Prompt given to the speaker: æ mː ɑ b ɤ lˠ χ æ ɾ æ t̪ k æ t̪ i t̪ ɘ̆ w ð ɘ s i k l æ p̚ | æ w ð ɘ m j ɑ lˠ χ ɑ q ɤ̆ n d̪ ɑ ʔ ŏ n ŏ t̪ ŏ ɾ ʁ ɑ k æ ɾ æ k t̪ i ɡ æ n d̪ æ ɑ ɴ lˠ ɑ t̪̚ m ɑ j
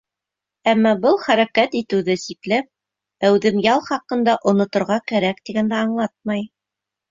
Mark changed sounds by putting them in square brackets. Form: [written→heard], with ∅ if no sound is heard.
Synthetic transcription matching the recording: æ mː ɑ b ɤ lˠ χ æ ɾ æ [t̪→∅] k æ t̪ i t̪ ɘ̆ w ð ɘ s i k l æ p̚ | æ w ð ɘ m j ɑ lˠ χ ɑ q ɤ̆ n d̪ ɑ ʔ ŏ n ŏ t̪ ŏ ɾ ʁ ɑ k æ ɾ æ k t̪ i ɡ æ n d̪ æ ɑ ɴ lˠ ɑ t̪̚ m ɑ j

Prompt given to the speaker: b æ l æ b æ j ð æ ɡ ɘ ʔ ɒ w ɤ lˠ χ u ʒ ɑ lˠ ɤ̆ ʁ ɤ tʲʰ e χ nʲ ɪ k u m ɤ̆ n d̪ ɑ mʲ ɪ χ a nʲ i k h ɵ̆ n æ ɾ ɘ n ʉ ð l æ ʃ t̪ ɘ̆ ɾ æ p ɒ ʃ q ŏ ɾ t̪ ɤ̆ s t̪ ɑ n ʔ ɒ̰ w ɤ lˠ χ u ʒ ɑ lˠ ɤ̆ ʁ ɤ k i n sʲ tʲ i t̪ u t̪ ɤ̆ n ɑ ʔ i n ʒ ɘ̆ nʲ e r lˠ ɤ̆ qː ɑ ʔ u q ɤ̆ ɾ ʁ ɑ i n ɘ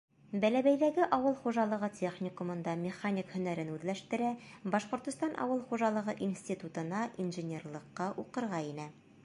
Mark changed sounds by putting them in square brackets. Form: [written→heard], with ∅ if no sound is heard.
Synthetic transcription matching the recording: b æ l æ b æ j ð æ ɡ ɘ ʔ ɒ w ɤ lˠ χ u ʒ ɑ lˠ ɤ̆ ʁ ɤ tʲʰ e χ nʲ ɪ k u m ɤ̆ n d̪ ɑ mʲ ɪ χ a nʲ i k h ɵ̆ n æ ɾ ɘ n ʉ ð l æ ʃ t̪ ɘ̆ ɾ æ [p→b] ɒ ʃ q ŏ ɾ t̪ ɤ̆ s t̪ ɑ n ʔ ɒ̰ w ɤ lˠ χ u ʒ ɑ lˠ ɤ̆ ʁ ɤ [k→ʔ] i n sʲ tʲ i t̪ u t̪ ɤ̆ n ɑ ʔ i n ʒ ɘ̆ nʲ e r lˠ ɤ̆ qː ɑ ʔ u q ɤ̆ ɾ ʁ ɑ i n ɘ

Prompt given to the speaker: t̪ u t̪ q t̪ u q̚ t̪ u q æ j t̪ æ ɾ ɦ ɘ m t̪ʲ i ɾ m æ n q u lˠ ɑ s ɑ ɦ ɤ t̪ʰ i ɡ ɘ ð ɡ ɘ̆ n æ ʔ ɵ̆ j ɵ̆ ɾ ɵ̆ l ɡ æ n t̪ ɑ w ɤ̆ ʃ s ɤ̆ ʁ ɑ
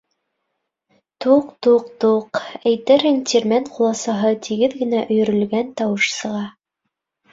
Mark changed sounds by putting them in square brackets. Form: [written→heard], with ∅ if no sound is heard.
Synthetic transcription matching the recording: t̪ u [t̪→∅] q t̪ u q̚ t̪ u q æ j t̪ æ ɾ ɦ ɘ [m→ŋ] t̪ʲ i ɾ m æ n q u lˠ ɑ s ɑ ɦ ɤ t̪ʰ i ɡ ɘ ð ɡ ɘ̆ n æ ʔ ɵ̆ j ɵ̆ ɾ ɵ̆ l ɡ æ n t̪ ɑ w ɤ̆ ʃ s ɤ̆ ʁ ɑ

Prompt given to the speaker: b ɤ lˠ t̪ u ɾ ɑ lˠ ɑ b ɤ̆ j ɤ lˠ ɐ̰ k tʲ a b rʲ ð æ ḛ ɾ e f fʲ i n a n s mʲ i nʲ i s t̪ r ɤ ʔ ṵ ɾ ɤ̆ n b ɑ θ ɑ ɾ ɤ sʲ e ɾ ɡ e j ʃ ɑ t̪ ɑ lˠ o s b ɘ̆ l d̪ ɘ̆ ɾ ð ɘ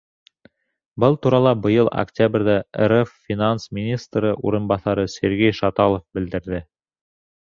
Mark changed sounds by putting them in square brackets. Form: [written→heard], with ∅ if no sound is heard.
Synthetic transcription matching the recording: b ɤ lˠ t̪ u ɾ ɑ lˠ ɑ b ɤ̆ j ɤ lˠ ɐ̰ k tʲ a b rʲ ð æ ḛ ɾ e f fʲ i n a n s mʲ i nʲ i s t̪ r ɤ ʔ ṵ ɾ ɤ̆ n b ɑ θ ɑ ɾ ɤ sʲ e ɾ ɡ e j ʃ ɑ t̪ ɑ lˠ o [s→f] b ɘ̆ l d̪ ɘ̆ ɾ ð ɘ

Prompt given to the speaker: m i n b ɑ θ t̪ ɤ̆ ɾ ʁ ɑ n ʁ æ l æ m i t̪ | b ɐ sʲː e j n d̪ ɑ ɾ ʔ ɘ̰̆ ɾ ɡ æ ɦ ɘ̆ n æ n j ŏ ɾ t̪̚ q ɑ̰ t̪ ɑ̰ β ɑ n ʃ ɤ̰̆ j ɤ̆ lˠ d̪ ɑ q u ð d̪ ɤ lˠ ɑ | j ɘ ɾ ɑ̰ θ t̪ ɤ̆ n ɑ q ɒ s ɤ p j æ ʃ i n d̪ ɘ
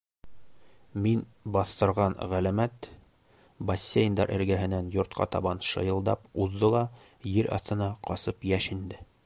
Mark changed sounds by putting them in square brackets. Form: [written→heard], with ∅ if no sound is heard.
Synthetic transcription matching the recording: m i n b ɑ θ t̪ ɤ̆ ɾ ʁ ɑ n ʁ æ l æ m [i→æ] t̪ | b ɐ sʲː e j n d̪ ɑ ɾ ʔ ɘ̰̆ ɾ ɡ æ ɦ ɘ̆ n æ n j ŏ ɾ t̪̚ q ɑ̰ t̪ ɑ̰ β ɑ n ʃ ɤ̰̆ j ɤ̆ lˠ d̪ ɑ [q→p] u ð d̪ ɤ lˠ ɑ | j ɘ ɾ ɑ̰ θ t̪ ɤ̆ n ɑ q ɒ s ɤ p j æ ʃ i n d̪ ɘ

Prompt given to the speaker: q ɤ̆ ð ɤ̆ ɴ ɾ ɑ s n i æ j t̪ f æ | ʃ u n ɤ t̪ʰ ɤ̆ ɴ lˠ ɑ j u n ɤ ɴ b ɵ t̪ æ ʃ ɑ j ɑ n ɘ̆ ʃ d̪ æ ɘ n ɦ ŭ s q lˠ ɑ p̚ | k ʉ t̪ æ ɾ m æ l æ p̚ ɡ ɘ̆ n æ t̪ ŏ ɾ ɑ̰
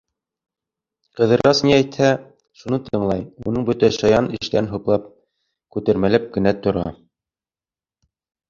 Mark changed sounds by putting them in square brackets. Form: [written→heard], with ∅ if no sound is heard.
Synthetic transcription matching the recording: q ɤ̆ ð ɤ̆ [ɴ→∅] ɾ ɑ s n i æ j t̪ [f→h] æ | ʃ u n ɤ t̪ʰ ɤ̆ ɴ lˠ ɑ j u n ɤ ɴ b ɵ t̪ æ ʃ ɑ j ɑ n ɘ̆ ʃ [d̪→t̪] æ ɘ n ɦ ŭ [s→∅] q lˠ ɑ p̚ | k ʉ t̪ æ ɾ m æ l æ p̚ ɡ ɘ̆ n æ t̪ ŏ ɾ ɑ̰

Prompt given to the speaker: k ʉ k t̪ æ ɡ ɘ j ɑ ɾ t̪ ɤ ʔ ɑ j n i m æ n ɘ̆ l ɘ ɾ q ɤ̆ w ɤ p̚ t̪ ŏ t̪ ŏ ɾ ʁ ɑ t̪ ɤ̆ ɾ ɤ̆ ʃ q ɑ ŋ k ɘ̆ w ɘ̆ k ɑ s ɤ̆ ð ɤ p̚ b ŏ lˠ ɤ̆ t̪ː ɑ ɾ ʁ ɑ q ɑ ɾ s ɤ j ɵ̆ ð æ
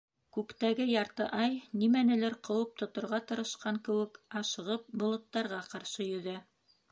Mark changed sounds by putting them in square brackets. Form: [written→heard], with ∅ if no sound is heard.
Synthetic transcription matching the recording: k ʉ k t̪ æ ɡ ɘ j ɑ ɾ t̪ ɤ ʔ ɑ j n i m æ n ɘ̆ l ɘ ɾ q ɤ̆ w ɤ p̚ t̪ ŏ t̪ ŏ ɾ ʁ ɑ t̪ ɤ̆ ɾ ɤ̆ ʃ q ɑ ŋ k ɘ̆ w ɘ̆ k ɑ [s→ʃ] ɤ̆ [ð→ʁ] ɤ p̚ b ŏ lˠ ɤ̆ t̪ː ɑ ɾ ʁ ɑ q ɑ ɾ [s→ʃ] ɤ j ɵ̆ ð æ

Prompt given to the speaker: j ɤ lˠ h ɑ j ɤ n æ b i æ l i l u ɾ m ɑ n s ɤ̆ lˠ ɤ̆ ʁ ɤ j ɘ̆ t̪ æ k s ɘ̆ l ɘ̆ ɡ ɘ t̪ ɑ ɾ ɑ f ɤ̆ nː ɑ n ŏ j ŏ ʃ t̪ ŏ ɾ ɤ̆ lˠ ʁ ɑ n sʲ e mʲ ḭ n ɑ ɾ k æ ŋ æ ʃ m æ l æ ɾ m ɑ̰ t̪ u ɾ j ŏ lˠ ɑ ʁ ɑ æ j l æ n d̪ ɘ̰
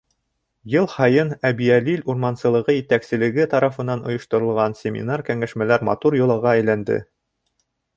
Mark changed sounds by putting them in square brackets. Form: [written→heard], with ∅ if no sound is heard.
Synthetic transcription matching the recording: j ɤ lˠ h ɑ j ɤ n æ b i æ l i l u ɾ m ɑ n s ɤ̆ lˠ ɤ̆ ʁ ɤ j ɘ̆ t̪ æ k s ɘ̆ l ɘ̆ ɡ ɘ t̪ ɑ ɾ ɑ f ɤ̆ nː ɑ n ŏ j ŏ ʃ t̪ ŏ ɾ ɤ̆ lˠ ʁ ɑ n sʲ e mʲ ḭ n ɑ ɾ k æ ŋ æ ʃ m æ l æ ɾ m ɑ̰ t̪ u ɾ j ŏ lˠ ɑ ʁ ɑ æ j l æ n d̪ ɘ̰

